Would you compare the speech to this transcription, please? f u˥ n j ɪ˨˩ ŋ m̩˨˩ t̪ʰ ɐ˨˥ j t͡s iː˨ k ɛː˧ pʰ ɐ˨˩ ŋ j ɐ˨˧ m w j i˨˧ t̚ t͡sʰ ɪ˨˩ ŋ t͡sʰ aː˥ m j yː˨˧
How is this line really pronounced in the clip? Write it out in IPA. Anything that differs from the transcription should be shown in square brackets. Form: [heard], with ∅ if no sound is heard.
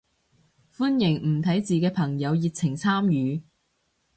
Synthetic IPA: f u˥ n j ɪ˨˩ ŋ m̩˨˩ t̪ʰ ɐ˨˥ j t͡s iː˨ k ɛː˧ pʰ ɐ˨˩ ŋ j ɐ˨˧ [∅] w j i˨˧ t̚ t͡sʰ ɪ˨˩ ŋ t͡sʰ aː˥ m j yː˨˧